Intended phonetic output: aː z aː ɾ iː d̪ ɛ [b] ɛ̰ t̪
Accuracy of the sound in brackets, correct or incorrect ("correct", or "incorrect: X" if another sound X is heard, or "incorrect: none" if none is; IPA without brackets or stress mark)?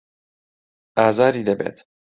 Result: correct